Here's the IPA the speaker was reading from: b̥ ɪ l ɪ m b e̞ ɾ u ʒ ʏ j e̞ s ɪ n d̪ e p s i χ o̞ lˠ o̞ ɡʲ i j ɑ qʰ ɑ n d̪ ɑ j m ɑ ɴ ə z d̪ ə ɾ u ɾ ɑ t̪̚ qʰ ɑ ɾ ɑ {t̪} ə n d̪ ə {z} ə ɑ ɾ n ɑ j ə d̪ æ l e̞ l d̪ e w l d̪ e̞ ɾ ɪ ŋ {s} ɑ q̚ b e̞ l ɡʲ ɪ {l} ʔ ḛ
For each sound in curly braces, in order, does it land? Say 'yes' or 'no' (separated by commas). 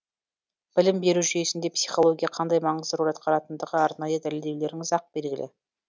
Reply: yes, no, no, yes